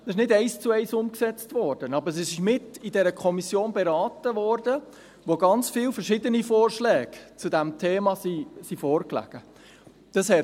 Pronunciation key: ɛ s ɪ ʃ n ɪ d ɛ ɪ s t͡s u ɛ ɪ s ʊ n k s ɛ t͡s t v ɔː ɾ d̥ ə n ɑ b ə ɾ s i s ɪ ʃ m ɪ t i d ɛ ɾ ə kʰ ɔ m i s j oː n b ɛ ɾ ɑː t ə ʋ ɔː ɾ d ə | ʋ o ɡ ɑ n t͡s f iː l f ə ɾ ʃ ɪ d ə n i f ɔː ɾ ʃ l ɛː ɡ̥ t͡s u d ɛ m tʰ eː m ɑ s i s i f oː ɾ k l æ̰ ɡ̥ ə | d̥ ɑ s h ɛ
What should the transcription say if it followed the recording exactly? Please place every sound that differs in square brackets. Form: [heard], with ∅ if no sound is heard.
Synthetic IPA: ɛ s ɪ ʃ n ɪ d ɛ ɪ s t͡s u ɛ ɪ s ʊ [m] k s ɛ t͡s t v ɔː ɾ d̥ ə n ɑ b ə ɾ s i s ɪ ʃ m ɪ t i d ɛ ɾ ə kʰ ɔ m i s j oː n b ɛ ɾ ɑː t ə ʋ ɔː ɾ d ə | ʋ o ɡ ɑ n t͡s f iː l f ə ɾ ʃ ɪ d ə n i f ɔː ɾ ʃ l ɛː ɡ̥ t͡s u d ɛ m tʰ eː m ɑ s i s i f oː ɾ k l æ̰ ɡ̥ ə | d̥ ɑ s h ɛ